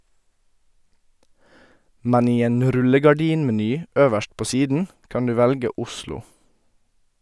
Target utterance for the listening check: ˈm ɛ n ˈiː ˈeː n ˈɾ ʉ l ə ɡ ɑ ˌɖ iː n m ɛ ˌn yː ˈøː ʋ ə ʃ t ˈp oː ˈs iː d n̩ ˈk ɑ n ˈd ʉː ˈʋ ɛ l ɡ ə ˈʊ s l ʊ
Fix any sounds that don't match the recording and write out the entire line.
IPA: ˈm ɛ n ˈiː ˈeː n ˈɾ ʉ l ə ɡ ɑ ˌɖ iː n m ɛ ˌn yː ˈøː ʋ ə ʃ t ˈp oː ˈs iː d n̩ ˈk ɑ n ˈd ʉː ˈʋ ɛ l ɡ ə ˈʊ s l ʊ